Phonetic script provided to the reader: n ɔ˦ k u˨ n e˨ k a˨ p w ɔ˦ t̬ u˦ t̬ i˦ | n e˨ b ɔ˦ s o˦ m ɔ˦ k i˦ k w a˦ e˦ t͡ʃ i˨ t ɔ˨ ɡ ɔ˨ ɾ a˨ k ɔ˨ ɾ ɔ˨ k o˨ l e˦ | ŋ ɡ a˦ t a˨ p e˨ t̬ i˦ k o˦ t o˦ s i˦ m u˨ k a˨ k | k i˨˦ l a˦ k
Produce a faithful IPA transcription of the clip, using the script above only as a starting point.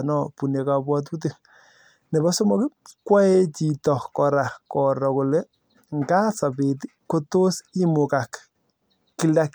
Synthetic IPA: n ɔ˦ p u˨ n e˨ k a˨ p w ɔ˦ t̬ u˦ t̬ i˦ | n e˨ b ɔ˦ s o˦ m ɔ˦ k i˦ k w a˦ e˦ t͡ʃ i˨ t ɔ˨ k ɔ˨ ɾ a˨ k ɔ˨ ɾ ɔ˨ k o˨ l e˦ | ŋ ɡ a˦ s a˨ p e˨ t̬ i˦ k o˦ t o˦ s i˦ m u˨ k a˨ k | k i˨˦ l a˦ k